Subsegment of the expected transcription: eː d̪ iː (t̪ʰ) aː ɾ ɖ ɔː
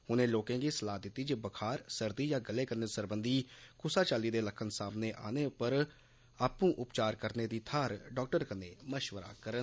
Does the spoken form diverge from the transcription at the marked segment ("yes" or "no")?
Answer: no